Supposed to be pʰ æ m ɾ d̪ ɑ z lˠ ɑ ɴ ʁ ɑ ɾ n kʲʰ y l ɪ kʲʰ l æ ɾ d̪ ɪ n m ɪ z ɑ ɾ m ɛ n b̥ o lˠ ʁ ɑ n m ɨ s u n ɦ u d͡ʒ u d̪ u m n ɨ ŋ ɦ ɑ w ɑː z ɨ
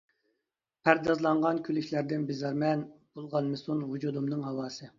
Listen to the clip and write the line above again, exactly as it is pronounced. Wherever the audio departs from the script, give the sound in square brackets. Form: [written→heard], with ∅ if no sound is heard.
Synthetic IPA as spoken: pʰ æ [m→∅] ɾ d̪ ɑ z lˠ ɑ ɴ ʁ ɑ [ɾ→∅] n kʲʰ y l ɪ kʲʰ l æ ɾ d̪ ɪ n [m→b] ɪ z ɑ ɾ m ɛ n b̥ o lˠ ʁ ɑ n m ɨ s u n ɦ u d͡ʒ u d̪ u m n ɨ ŋ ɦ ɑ w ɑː [z→s] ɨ